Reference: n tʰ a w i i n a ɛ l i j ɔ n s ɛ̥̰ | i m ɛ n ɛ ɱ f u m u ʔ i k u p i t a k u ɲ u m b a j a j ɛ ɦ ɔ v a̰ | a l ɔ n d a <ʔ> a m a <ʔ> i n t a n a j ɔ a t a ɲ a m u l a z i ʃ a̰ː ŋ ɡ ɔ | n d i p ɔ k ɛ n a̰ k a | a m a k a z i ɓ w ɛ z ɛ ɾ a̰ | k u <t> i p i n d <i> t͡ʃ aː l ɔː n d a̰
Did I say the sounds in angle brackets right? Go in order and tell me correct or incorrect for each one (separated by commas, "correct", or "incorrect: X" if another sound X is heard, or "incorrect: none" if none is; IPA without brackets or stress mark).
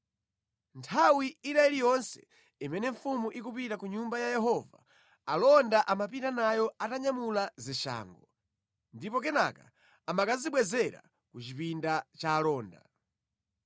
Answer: correct, incorrect: p, incorrect: t͡ʃ, incorrect: a